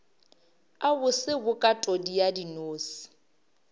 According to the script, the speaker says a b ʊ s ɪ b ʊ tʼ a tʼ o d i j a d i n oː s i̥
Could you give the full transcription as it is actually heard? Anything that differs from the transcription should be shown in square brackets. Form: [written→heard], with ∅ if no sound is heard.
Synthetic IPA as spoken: a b ʊ s ɪ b ʊ [tʼ→kʼ] a tʼ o d i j a d i n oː s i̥